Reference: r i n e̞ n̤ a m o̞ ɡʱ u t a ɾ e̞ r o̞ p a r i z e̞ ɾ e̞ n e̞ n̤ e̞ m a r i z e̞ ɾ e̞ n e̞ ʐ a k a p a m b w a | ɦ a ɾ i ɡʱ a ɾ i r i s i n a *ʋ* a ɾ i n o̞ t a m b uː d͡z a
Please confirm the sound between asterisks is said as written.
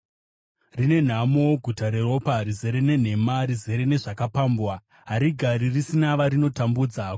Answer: yes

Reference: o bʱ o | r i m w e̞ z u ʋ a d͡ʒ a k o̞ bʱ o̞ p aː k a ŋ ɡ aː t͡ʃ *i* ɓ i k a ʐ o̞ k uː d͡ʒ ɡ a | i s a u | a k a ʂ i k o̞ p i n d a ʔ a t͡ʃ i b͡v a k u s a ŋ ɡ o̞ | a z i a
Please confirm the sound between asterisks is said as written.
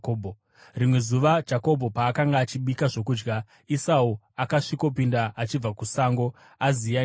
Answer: yes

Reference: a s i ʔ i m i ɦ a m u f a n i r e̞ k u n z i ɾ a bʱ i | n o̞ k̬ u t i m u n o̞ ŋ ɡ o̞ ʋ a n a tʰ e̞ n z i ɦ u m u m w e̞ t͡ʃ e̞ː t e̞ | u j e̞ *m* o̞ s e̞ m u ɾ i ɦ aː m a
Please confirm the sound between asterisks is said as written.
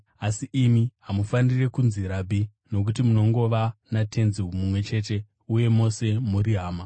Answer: yes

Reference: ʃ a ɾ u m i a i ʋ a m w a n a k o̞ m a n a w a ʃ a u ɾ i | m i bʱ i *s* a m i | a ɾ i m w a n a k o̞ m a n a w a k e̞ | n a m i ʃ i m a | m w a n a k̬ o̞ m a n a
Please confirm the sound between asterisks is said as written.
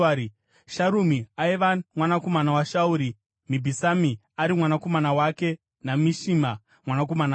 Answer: yes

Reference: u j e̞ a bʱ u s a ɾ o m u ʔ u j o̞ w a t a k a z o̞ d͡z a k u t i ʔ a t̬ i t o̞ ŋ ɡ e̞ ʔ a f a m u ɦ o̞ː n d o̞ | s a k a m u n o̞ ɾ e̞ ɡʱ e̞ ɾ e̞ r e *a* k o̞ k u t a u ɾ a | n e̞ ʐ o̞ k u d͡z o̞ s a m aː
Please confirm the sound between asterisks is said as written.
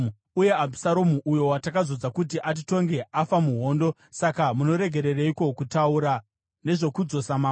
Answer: no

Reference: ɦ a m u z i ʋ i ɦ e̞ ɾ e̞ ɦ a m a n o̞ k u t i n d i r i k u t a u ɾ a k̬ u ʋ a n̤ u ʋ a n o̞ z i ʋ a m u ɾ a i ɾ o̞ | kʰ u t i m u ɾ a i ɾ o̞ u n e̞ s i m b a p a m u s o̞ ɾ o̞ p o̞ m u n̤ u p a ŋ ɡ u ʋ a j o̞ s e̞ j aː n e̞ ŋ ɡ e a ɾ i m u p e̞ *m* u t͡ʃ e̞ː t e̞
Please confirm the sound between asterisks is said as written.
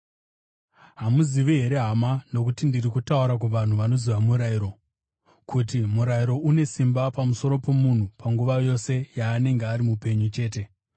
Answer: no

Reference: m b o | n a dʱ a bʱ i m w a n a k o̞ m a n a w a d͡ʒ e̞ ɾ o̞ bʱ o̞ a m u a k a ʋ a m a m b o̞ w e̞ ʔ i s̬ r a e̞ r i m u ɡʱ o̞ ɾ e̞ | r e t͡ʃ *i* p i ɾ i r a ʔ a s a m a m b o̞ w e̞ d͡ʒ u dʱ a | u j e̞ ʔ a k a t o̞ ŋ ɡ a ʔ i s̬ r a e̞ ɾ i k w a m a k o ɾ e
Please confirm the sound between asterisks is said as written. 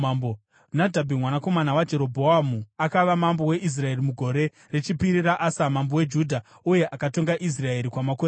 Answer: yes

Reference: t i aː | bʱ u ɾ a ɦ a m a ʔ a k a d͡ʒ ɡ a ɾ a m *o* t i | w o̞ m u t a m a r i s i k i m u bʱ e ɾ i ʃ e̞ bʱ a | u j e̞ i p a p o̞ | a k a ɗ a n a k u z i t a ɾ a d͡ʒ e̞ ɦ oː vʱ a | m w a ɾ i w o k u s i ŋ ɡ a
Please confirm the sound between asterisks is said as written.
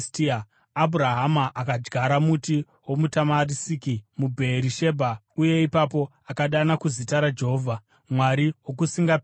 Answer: no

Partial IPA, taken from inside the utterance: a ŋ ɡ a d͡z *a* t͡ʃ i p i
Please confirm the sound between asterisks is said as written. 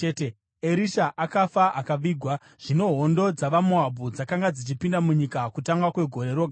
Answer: no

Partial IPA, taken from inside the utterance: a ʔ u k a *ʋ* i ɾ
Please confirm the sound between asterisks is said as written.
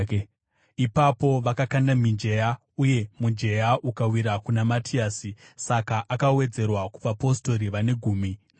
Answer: no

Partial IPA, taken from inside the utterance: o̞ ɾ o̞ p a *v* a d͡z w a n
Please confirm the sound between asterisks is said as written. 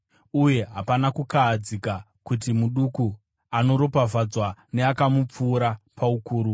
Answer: yes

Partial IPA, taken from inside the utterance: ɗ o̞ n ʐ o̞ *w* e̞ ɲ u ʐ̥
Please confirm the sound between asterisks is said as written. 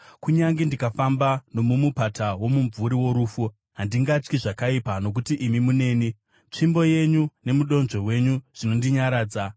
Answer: yes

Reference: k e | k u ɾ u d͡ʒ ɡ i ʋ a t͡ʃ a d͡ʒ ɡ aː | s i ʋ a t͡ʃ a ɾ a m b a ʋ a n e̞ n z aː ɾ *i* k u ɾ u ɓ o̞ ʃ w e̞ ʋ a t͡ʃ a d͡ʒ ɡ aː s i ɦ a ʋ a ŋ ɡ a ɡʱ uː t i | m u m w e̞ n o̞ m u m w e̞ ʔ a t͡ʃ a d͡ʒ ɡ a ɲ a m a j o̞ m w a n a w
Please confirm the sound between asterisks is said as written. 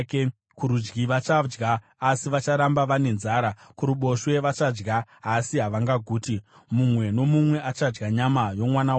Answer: no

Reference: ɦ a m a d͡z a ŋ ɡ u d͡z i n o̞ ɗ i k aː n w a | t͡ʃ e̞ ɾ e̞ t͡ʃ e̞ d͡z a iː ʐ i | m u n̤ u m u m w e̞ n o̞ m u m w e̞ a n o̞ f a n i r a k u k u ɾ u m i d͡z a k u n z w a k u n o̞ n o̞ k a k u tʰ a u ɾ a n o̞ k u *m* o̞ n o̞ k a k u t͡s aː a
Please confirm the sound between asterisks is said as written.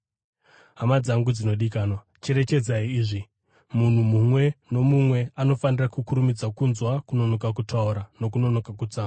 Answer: no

